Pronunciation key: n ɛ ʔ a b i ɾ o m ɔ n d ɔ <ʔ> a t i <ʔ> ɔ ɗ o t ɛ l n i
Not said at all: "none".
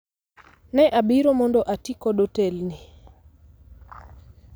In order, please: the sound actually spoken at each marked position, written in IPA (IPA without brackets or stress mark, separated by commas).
ʔ, k